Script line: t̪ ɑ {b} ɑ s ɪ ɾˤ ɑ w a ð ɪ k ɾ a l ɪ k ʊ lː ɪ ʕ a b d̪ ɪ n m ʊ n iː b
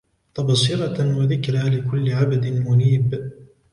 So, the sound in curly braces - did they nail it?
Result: yes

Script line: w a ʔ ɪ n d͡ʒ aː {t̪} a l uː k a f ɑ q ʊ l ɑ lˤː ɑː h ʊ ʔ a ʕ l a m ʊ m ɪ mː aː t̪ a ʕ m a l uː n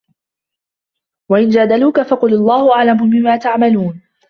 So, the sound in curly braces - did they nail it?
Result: no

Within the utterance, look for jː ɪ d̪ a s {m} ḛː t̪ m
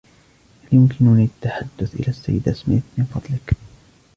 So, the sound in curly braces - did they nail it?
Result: yes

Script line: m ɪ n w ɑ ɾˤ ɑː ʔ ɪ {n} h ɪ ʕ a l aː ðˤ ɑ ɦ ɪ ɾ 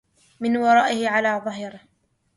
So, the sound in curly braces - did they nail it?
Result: no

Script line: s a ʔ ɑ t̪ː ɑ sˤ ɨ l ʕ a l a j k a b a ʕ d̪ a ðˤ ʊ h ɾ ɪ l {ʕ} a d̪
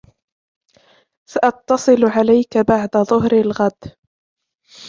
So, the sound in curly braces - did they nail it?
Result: no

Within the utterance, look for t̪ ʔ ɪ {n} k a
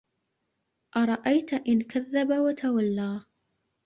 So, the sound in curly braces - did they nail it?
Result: yes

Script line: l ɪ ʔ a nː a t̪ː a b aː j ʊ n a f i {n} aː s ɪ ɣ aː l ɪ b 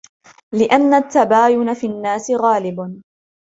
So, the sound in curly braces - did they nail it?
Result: no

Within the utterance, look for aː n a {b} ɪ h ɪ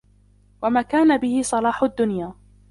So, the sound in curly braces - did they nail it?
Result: yes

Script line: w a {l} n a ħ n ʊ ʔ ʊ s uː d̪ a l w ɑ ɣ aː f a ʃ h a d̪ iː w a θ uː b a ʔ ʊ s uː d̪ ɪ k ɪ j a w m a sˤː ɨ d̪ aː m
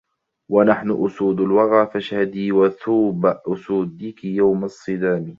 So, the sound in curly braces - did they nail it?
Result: no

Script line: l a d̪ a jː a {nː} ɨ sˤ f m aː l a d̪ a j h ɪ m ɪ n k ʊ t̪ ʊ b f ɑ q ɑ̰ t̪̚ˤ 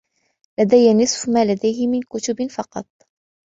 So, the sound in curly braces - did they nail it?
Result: no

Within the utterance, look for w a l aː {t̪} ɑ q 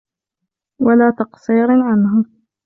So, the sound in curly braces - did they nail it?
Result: yes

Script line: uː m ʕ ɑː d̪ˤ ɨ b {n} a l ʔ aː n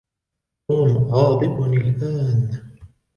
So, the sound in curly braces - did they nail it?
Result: yes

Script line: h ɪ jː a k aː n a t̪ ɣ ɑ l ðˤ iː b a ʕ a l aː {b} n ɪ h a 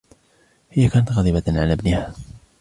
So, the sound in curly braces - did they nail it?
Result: yes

